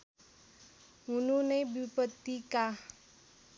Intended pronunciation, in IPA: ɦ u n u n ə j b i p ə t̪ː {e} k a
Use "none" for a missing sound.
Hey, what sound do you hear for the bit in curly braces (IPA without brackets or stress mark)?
i